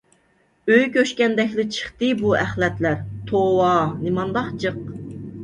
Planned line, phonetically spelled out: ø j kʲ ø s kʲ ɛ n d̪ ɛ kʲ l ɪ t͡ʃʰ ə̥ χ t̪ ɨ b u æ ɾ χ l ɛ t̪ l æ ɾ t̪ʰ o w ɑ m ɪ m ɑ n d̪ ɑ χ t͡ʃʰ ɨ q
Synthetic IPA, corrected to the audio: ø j kʲ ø ʃ kʲ ɛ n d̪ ɛ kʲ l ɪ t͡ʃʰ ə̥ χ t̪ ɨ b u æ χ l ɛ t̪ l æ ɾ t̪ʰ o w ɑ n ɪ m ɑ n d̪ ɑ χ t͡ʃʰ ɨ q